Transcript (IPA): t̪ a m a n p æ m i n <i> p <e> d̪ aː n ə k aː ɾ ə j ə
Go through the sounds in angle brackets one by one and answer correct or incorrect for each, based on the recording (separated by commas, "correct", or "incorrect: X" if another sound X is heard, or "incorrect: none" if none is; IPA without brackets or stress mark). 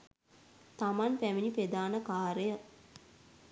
correct, correct